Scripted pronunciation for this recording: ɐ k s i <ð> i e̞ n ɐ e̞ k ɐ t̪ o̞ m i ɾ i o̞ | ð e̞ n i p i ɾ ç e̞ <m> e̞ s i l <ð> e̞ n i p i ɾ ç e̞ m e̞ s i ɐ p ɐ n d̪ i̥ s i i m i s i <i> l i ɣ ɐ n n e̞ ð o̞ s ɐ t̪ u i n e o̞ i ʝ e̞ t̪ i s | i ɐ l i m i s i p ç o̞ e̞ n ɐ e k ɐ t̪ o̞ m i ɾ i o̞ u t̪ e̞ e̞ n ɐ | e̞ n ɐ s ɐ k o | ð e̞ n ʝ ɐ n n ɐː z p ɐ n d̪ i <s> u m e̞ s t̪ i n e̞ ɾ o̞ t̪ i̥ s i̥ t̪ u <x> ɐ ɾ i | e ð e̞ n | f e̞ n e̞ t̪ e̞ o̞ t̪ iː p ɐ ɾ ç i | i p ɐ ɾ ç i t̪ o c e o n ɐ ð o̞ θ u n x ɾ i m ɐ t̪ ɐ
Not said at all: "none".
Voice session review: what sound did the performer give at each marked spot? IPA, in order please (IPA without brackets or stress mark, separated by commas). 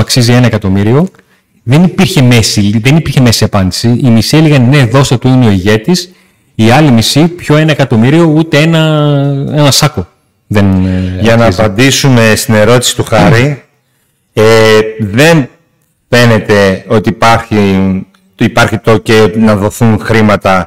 z, m, ð, e, s, x